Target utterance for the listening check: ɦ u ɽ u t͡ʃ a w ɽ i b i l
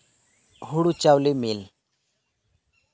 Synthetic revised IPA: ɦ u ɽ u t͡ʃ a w l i m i l